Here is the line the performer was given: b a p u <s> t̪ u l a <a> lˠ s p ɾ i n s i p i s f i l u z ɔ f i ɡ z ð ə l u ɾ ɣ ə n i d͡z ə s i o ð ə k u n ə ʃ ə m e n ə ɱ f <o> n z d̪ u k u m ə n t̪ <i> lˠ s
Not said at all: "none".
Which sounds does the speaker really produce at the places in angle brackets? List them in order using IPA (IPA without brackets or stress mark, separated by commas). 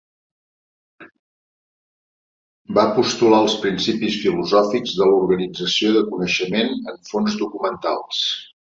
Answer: s, ə, o, a